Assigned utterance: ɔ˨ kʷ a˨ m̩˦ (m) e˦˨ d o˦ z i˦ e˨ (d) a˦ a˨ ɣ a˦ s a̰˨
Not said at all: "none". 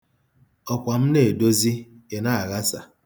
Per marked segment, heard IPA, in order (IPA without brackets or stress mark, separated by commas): n, n